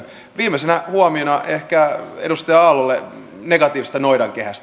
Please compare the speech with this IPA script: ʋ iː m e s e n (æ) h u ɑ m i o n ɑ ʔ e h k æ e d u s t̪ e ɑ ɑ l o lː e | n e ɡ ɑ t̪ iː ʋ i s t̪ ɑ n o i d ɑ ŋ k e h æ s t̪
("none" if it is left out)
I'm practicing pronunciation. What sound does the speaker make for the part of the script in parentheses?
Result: æ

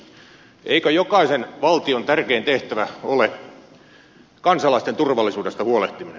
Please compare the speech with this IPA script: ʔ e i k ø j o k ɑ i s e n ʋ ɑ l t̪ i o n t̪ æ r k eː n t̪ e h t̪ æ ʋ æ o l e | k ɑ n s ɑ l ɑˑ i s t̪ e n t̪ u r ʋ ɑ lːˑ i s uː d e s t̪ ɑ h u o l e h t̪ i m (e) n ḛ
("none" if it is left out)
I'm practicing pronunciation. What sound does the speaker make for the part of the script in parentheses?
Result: i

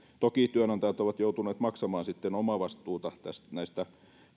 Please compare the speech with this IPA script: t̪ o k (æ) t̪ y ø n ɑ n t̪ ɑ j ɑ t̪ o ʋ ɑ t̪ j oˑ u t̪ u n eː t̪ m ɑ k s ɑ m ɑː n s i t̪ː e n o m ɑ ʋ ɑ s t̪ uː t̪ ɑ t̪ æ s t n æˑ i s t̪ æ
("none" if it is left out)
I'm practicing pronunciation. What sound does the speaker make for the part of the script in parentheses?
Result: i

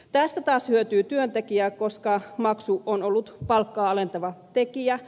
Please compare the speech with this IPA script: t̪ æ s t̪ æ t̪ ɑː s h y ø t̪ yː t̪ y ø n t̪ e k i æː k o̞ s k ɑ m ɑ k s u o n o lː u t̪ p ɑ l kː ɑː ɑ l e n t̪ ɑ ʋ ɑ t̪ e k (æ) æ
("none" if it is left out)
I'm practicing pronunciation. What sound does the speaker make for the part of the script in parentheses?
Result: i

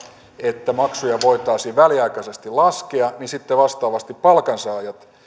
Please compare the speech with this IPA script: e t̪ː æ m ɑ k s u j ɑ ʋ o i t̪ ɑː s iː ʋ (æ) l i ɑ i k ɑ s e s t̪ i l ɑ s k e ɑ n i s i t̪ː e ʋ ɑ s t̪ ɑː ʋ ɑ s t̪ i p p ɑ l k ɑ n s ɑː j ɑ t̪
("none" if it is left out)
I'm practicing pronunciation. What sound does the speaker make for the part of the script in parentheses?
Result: æ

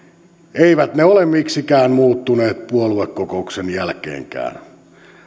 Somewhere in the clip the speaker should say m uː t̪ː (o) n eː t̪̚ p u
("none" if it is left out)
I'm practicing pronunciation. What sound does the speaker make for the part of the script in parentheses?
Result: u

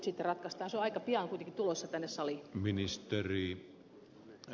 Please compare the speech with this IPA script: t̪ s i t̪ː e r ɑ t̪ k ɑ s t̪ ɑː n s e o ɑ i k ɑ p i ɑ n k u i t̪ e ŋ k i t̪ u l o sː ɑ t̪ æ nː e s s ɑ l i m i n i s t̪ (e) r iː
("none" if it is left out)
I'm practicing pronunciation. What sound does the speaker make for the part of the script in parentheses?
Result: e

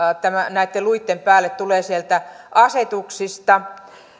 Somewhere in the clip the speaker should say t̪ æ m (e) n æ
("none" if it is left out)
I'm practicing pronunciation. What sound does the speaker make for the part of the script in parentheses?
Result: æ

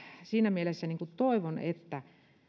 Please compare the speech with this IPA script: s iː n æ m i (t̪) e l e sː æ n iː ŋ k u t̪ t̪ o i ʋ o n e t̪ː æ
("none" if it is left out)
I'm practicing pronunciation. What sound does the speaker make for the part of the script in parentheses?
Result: none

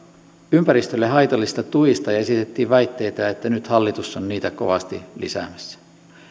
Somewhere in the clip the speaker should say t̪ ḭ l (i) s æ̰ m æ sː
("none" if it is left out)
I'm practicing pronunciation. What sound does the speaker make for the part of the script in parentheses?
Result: i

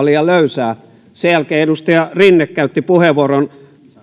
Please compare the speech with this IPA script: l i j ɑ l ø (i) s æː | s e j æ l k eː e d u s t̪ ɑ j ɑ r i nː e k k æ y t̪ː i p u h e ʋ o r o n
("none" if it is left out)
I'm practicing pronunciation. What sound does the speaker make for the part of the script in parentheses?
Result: y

